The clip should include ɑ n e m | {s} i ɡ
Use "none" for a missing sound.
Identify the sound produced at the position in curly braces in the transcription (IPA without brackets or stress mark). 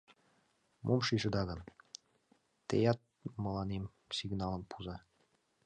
s